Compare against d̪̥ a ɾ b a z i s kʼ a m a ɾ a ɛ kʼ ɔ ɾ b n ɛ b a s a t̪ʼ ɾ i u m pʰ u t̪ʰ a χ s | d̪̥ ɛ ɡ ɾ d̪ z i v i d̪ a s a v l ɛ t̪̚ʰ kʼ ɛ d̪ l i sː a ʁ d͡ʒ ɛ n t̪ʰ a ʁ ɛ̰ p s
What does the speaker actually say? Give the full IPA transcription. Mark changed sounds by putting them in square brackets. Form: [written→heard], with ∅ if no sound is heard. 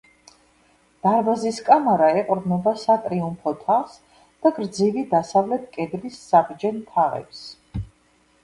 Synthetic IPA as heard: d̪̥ a ɾ b a z i s kʼ a m a ɾ a ɛ [kʼ→qʼ] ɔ ɾ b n ɛ b a s a t̪ʼ ɾ i u m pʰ [u→ɔ] t̪ʰ a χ s | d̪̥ [ɛ→a] ɡ ɾ d̪ z i v i d̪ a s a v l ɛ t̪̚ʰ kʼ ɛ d̪ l i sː a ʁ d͡ʒ ɛ n t̪ʰ a ʁ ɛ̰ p s